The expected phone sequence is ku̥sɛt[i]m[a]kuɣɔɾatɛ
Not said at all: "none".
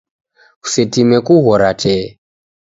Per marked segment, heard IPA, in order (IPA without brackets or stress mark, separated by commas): i, ɛ